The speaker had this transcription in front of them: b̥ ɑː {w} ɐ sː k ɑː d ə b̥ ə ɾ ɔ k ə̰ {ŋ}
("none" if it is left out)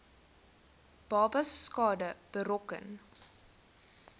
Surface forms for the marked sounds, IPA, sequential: b, n

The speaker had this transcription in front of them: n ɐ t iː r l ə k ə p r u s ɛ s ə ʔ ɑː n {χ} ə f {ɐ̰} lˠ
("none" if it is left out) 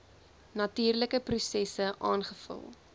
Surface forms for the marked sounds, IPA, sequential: χ, ə̰

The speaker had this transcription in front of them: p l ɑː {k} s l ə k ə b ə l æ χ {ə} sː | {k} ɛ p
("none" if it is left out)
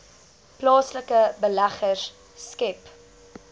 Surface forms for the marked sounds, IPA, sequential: none, ə, k

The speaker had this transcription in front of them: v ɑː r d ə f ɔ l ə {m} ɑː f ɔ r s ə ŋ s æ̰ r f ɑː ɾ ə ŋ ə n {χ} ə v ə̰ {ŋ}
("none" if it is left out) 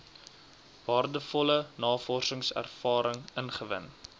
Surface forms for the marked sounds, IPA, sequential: n, χ, n

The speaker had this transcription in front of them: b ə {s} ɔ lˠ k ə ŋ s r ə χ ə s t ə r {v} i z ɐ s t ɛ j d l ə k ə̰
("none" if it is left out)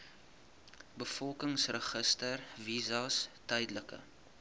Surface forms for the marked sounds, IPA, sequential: f, v

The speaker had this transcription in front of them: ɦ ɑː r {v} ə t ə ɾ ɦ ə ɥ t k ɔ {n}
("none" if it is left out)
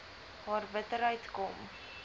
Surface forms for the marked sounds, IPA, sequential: b, m

